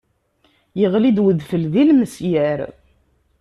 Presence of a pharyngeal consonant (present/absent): absent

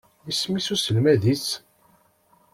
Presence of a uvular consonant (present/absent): absent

